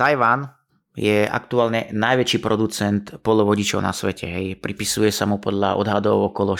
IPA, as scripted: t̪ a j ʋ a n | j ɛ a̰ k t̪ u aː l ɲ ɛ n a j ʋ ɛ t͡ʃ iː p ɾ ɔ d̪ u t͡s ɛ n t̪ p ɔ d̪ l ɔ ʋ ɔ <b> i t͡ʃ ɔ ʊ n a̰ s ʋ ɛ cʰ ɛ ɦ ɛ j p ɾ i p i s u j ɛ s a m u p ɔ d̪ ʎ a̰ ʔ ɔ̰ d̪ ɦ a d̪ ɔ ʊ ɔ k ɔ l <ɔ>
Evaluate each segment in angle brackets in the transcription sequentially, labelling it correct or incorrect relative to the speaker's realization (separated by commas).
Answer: incorrect, correct